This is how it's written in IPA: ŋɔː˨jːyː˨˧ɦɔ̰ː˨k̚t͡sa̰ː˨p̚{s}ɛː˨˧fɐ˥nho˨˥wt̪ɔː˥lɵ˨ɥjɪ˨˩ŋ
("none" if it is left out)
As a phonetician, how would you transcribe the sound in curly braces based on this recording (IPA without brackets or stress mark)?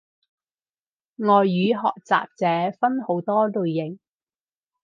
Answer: t͡s